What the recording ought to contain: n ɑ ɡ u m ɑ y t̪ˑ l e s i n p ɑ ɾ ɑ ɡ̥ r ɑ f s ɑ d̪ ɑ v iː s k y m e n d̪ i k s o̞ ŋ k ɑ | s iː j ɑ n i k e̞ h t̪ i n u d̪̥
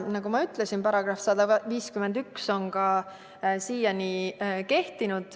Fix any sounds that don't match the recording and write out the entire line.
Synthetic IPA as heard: n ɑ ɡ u m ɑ y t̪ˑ l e s i n p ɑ ɾ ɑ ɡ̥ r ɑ f s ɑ d̪ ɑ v iː s k y m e n d̪ y k s o̞ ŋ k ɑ | s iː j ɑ n i k e̞ h t̪ i n u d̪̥